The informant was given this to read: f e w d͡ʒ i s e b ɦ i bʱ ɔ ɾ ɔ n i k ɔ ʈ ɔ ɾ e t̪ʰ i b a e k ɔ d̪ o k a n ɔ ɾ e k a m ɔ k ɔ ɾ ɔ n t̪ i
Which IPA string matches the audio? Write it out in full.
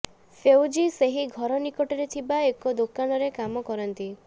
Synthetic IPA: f e w d͡ʒ i s e ɦ i ɡʱ ɔ ɾ ɔ n i k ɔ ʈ ɔ ɾ e t̪ʰ i b a e k ɔ d̪ o k a n ɔ ɾ e k a m ɔ k ɔ ɾ ɔ n t̪ i